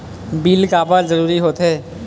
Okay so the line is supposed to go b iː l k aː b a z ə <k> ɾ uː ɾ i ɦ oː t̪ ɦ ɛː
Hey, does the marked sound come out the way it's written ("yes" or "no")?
no